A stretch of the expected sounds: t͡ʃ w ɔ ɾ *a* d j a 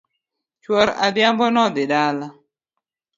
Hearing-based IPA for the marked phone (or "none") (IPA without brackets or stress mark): a